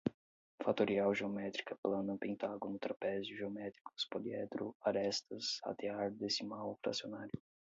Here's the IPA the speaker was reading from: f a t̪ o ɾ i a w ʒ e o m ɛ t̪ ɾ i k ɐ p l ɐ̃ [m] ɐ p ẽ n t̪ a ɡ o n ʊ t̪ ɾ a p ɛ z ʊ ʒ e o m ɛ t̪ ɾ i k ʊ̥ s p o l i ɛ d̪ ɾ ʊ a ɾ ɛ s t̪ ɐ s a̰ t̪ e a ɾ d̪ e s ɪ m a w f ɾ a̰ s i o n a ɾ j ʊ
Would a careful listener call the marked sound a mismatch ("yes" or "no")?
yes